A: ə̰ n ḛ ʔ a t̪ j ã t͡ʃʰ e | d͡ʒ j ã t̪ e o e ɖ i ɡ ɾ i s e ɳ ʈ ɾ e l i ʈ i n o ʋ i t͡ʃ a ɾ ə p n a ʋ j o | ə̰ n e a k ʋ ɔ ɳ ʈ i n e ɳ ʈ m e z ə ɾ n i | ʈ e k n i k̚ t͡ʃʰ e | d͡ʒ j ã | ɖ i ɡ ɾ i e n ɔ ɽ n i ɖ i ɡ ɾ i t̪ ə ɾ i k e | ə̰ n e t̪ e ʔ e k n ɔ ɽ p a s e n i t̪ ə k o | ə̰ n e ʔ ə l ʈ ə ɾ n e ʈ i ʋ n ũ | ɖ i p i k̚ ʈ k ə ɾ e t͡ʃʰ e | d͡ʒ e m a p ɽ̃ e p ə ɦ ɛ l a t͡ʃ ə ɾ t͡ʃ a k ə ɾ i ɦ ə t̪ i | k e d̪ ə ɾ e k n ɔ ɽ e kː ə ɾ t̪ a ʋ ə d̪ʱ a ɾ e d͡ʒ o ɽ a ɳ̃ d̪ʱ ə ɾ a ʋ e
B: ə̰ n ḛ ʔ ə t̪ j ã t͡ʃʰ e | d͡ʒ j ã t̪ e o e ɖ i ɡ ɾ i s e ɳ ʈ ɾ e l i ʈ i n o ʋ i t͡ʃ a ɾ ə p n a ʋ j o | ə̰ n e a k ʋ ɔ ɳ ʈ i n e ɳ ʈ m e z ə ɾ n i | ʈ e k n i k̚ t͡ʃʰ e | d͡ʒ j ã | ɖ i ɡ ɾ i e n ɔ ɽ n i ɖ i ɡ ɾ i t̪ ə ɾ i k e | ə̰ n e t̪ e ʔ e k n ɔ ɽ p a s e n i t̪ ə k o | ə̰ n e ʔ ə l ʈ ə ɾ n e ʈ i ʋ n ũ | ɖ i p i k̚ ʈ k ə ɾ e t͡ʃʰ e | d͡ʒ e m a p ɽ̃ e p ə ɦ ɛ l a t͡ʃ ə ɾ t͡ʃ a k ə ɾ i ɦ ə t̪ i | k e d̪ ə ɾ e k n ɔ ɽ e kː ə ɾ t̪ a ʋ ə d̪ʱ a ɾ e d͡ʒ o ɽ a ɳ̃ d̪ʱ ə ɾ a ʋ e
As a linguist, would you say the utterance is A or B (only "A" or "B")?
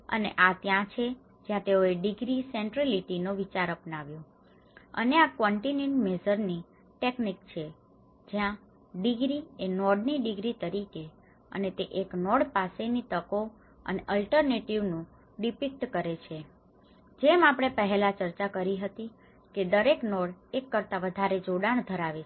A